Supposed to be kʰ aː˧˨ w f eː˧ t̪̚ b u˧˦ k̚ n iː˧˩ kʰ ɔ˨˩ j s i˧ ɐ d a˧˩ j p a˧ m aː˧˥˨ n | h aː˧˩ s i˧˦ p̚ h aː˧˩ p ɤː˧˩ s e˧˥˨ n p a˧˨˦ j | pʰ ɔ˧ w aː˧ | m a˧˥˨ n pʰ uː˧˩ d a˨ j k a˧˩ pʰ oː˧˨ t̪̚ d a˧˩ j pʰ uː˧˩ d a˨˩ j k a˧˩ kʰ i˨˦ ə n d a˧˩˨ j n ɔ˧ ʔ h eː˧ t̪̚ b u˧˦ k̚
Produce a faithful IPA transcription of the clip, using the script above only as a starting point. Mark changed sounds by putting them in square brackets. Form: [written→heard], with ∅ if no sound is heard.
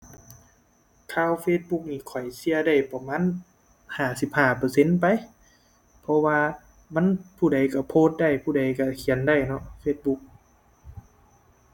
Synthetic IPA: kʰ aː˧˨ w f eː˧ t̪̚ b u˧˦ k̚ n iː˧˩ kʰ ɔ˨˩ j s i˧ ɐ d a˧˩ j p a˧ m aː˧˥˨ n | h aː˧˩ s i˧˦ p̚ h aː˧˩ p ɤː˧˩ s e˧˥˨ n p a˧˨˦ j | pʰ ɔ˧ w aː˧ | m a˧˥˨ n pʰ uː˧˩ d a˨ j k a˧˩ pʰ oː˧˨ t̪̚ d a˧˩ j pʰ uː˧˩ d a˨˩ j k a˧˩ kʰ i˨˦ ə n d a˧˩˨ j n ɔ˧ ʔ [h→f] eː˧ t̪̚ b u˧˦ k̚